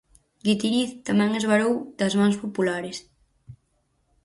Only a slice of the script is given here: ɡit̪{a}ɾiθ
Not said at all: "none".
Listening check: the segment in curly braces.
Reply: i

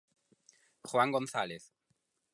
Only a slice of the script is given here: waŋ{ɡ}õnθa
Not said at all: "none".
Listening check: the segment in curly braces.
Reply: ɡ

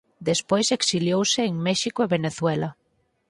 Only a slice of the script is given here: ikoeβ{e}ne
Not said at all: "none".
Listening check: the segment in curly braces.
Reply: e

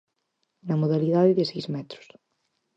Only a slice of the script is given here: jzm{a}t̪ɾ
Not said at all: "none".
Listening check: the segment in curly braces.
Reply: ɛ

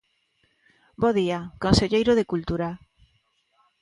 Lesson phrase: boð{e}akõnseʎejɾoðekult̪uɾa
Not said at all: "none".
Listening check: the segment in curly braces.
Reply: i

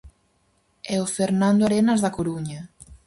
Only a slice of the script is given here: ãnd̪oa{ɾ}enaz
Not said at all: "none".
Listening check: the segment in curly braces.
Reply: ɾ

